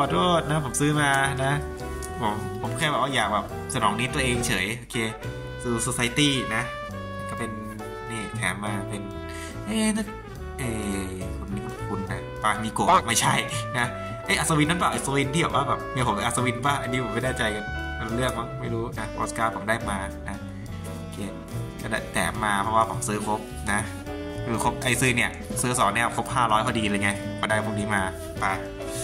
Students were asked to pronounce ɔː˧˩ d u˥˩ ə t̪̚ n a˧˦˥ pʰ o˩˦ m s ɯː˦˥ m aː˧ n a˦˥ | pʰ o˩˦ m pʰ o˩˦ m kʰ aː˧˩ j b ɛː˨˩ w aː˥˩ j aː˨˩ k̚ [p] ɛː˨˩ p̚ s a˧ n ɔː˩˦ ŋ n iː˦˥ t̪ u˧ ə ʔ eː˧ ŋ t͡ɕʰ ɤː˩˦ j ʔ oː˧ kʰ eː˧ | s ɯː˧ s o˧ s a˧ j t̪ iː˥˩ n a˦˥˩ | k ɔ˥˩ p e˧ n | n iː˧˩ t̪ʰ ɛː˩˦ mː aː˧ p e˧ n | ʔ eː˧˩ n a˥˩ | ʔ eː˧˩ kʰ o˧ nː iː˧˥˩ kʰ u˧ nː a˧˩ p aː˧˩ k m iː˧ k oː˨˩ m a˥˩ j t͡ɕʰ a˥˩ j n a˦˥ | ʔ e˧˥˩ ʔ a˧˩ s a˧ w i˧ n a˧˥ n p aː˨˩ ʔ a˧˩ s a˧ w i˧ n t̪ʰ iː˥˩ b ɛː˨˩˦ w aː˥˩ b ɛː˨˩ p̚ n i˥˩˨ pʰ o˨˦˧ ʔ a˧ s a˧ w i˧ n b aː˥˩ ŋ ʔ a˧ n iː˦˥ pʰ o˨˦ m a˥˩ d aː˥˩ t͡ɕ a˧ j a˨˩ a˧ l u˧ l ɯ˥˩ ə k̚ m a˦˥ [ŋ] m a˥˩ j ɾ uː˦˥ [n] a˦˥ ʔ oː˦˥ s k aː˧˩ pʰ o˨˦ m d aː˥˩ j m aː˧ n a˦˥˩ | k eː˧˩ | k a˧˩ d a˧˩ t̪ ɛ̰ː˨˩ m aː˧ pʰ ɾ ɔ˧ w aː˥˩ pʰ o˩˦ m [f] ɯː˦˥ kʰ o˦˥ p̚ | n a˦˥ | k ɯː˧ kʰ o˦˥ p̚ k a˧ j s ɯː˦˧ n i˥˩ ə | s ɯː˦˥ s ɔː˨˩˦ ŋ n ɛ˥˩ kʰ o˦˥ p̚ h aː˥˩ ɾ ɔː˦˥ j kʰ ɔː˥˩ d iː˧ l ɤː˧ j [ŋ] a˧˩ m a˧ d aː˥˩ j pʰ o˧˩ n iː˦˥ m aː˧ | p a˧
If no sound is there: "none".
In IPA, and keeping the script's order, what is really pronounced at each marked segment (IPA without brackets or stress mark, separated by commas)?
b, ŋ, n, s, ŋ